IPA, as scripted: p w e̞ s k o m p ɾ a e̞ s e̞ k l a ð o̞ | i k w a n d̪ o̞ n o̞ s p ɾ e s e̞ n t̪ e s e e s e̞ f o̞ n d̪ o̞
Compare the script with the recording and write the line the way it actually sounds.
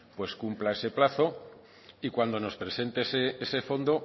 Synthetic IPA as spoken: p w e̞ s k u m p l a e̞ s e̞ p l a θ o̞ | i k w a n d̪ o̞ n o̞ s p ɾ e s e̞ n t̪ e s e e s e̞ f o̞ n d̪ o̞